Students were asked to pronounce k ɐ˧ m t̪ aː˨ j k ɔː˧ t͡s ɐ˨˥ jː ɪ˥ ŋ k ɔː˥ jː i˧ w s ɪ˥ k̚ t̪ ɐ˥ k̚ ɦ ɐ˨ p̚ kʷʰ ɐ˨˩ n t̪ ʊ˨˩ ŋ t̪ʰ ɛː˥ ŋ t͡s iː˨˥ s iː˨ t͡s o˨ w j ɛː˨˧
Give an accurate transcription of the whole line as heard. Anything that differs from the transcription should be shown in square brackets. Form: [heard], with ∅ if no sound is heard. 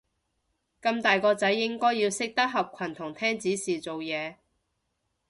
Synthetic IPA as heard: k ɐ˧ m t̪ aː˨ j k ɔː˧ t͡s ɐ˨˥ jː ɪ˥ ŋ k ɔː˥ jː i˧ w s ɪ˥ k̚ t̪ ɐ˥ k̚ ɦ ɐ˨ p̚ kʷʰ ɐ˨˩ n [t̪ʰ] ʊ˨˩ ŋ t̪ʰ ɛː˥ ŋ t͡s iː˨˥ s iː˨ t͡s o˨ w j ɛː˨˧

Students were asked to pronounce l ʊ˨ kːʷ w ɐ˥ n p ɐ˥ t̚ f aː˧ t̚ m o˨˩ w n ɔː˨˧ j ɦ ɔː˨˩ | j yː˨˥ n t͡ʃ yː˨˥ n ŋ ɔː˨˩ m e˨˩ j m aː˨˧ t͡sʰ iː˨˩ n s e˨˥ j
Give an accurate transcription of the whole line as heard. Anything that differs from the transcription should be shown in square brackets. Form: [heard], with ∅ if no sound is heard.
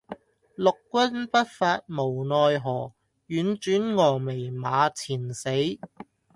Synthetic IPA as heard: l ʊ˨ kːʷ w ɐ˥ n p ɐ˥ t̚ f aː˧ t̚ m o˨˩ w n ɔː˨˧ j ɦ ɔː˨˩ | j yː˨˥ n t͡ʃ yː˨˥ n ŋ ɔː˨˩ m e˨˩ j m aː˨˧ t͡sʰ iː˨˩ n s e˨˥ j

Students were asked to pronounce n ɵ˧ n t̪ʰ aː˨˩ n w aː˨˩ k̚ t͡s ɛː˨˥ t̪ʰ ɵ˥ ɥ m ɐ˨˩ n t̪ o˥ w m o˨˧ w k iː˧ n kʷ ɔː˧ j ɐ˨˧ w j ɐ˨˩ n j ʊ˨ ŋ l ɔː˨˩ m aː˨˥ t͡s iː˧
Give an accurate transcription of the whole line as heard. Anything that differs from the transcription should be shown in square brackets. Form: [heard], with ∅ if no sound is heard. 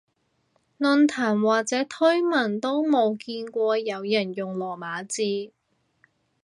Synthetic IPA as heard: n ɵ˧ n t̪ʰ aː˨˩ n w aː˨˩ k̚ t͡s ɛː˨˥ t̪ʰ ɵ˥ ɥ m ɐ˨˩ n t̪ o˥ w m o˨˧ w k iː˧ n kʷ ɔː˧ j ɐ˨˧ w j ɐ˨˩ n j ʊ˨ ŋ l ɔː˨˩ m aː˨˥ t͡s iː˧

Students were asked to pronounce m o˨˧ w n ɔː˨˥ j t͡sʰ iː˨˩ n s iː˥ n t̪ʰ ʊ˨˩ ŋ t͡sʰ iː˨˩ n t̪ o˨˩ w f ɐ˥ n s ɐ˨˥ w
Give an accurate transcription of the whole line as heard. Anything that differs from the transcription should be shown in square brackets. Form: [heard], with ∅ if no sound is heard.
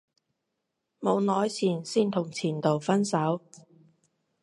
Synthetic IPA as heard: m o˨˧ w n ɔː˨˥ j t͡sʰ iː˨˩ n s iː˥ n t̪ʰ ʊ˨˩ ŋ t͡sʰ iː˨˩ n t̪ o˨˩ w f ɐ˥ n s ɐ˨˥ w

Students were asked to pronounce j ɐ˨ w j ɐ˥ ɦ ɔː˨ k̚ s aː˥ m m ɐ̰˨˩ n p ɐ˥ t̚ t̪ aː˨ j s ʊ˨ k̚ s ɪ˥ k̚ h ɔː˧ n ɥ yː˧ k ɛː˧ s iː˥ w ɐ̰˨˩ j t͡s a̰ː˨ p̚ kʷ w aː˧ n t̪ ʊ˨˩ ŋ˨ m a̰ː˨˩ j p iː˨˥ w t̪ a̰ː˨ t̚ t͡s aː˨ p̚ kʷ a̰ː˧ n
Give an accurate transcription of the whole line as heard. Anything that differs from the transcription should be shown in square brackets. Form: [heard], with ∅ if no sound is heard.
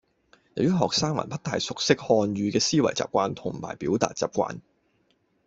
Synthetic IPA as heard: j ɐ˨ w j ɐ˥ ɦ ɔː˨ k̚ s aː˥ [ŋ] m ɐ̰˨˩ n p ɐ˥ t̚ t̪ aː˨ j s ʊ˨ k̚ s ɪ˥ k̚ h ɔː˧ n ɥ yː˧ k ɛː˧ s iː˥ w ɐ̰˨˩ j t͡s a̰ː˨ p̚ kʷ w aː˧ n [t̪ʰ] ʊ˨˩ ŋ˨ m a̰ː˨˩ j p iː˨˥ w t̪ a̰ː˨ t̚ t͡s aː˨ p̚ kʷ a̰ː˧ n

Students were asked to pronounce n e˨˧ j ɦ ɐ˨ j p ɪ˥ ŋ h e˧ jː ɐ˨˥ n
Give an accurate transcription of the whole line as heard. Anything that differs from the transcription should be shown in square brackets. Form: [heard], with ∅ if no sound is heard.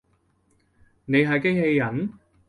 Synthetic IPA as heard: n e˨˧ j ɦ ɐ˨ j [k] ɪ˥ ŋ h e˧ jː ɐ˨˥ n

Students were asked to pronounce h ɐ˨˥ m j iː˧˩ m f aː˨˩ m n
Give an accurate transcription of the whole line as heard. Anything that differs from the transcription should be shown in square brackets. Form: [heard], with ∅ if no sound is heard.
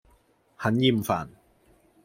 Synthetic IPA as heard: h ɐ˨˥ [n] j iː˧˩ m f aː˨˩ [∅] n

